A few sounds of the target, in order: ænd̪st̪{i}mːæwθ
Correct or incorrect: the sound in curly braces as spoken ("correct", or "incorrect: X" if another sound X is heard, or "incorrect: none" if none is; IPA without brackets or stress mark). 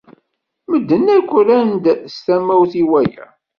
incorrect: æ